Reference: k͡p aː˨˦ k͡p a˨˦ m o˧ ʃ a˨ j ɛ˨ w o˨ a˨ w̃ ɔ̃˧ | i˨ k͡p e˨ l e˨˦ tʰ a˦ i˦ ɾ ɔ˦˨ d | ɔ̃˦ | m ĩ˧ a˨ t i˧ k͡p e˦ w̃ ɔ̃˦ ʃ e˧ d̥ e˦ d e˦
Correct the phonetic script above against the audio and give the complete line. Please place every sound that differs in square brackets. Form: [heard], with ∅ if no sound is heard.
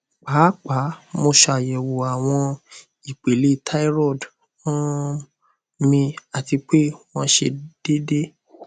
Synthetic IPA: k͡p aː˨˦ k͡p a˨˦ m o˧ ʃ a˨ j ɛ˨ w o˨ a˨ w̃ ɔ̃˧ | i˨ k͡p e˨ l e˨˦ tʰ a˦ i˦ ɾ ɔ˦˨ d | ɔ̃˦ | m ĩ˧ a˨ t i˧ k͡p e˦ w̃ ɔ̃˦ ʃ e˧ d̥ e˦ d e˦